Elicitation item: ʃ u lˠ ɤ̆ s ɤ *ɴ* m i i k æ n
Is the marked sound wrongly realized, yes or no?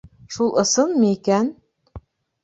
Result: yes